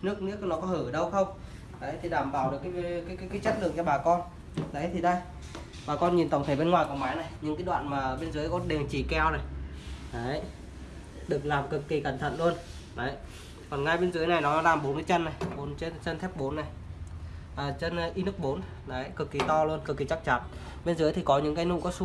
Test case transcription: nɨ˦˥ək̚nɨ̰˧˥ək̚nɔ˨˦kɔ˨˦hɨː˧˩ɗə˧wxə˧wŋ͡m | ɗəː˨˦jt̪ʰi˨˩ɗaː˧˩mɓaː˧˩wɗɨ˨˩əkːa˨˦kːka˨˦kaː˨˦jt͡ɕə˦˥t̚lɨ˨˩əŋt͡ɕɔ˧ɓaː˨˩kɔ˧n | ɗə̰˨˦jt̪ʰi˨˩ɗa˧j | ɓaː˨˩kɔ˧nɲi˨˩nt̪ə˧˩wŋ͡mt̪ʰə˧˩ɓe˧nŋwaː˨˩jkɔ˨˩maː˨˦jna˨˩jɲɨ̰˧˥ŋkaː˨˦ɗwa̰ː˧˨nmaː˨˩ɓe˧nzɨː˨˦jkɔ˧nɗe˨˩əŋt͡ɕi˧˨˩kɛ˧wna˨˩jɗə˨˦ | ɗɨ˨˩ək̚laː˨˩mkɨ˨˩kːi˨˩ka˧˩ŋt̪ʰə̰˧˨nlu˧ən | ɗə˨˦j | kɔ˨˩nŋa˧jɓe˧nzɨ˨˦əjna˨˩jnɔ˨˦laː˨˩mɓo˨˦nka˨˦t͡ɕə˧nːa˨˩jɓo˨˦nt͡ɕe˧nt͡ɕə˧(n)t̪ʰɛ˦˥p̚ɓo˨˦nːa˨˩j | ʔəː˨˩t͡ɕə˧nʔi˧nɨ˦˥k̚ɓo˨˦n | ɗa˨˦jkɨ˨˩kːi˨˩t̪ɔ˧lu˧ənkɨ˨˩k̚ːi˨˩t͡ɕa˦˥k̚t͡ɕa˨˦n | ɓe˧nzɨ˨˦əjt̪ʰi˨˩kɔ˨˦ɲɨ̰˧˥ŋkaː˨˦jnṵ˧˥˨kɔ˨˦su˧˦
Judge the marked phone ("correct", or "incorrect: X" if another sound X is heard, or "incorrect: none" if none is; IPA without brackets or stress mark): correct